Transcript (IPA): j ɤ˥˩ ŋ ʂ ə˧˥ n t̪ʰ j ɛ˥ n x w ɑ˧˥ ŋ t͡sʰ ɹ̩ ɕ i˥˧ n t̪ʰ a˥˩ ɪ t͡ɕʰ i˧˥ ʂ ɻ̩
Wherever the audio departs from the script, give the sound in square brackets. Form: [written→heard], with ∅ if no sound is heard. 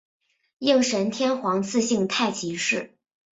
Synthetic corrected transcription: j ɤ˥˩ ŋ ʂ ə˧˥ n t̪ʰ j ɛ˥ n x w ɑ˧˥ ŋ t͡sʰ ɹ̩ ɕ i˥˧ [n→ŋ] t̪ʰ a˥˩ ɪ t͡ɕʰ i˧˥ ʂ ɻ̩